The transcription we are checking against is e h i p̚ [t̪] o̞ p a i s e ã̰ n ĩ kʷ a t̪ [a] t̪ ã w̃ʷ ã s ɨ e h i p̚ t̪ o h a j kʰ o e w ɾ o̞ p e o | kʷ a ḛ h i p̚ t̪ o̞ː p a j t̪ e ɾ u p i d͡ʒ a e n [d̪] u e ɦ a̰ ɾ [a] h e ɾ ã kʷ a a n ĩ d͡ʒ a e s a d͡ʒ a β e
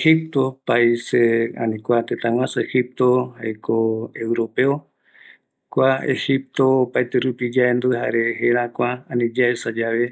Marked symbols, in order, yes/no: yes, no, yes, no

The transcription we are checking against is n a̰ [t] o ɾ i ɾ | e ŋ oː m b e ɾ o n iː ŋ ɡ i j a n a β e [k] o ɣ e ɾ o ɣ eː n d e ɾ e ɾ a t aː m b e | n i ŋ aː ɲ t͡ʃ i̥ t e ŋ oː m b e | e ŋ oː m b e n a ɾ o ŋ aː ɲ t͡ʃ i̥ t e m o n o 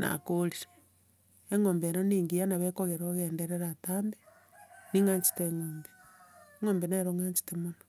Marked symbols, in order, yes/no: no, yes

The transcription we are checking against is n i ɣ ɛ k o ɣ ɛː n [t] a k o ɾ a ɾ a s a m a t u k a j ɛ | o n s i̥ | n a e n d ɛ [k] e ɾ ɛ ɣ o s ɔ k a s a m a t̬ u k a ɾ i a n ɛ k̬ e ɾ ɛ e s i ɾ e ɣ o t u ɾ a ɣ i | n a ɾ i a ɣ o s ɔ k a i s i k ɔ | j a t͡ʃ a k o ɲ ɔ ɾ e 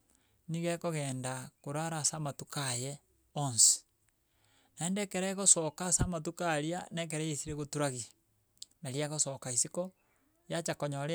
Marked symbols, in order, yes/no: no, yes

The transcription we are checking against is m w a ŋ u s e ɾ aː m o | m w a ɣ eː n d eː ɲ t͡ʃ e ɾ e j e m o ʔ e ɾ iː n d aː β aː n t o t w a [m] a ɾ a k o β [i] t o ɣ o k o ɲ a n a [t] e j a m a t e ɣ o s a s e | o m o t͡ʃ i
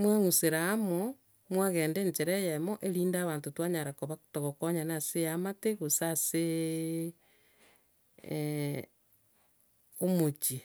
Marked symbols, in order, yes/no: no, no, no

